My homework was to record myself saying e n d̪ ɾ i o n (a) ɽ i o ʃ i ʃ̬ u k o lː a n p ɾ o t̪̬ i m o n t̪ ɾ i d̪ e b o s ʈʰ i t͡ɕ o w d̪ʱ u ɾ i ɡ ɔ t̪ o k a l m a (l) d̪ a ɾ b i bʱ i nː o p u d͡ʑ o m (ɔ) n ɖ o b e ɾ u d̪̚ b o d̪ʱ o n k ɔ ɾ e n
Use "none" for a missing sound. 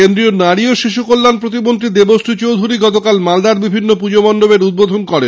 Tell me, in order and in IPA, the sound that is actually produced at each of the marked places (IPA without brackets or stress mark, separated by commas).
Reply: a, l, ɔ